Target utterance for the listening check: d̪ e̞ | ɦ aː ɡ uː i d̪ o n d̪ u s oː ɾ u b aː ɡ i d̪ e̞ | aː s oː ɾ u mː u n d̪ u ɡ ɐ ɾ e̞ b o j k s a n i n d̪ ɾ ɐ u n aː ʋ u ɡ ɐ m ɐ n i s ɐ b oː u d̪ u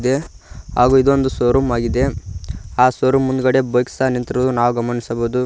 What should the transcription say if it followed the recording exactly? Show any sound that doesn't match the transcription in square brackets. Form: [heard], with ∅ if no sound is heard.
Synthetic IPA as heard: d̪ e̞ | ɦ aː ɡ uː i d̪ o n d̪ u s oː ɾ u [m] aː ɡ i d̪ e̞ | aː s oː ɾ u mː u n d̪ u ɡ ɐ [ɽ] e̞ b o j k s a n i n [t̪] ɾ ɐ u n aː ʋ u ɡ ɐ m ɐ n i s ɐ b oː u d̪ u